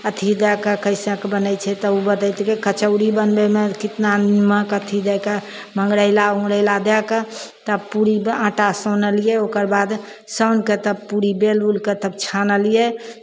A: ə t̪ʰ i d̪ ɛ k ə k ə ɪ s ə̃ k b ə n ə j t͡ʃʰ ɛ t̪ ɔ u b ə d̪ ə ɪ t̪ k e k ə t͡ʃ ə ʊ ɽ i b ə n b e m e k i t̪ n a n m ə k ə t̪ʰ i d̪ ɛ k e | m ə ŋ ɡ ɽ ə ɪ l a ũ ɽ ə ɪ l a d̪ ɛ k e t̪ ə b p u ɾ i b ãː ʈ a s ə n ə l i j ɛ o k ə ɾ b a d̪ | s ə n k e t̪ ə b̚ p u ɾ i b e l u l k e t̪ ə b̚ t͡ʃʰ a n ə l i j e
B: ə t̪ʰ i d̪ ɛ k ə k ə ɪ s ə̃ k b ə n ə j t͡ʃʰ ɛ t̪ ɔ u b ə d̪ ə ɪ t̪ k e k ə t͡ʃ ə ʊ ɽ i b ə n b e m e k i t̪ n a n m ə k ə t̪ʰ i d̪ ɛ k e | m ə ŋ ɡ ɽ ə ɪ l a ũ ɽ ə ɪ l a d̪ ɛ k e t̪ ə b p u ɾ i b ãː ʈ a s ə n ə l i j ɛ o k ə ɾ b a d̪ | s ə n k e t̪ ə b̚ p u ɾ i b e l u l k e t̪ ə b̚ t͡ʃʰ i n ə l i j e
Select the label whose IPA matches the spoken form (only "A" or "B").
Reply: A